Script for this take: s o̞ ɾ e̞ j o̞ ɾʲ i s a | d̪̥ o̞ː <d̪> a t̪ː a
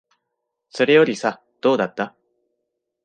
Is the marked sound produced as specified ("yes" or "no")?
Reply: yes